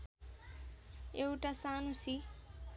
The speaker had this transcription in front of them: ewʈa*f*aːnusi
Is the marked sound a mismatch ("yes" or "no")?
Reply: yes